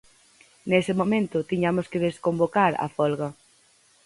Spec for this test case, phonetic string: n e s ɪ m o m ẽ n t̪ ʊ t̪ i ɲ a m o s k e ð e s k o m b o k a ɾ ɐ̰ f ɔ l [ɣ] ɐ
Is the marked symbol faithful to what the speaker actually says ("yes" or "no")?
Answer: yes